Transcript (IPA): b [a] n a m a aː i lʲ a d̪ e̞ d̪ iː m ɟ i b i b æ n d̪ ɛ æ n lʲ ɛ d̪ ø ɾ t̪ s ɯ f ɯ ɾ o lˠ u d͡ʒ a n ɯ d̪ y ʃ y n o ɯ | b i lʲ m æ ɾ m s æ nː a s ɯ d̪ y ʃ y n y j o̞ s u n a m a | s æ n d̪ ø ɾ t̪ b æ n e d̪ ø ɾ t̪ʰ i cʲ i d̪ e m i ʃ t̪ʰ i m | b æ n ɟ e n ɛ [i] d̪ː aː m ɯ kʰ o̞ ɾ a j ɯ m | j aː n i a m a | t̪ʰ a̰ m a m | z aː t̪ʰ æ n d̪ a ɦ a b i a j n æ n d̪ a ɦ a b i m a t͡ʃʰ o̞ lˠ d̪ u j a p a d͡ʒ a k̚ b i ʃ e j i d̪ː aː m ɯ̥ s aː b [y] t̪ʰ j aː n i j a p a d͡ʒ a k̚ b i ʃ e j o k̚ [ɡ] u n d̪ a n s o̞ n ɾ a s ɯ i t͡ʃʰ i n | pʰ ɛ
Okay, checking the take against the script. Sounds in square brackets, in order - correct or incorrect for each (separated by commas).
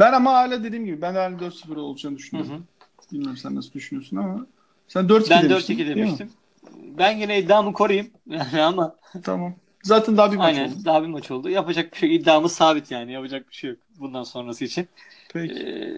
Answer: incorrect, correct, incorrect, incorrect